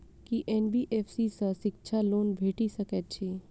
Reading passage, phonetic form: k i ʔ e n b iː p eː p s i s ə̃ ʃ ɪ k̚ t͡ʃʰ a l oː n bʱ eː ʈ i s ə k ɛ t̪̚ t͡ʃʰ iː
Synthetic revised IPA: k i ʔ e n b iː ʔ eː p s i s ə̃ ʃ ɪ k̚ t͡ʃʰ a l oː n bʱ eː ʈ i s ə k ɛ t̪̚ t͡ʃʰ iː